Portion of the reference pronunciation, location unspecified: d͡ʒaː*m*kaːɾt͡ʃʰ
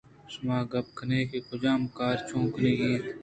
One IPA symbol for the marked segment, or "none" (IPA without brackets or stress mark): m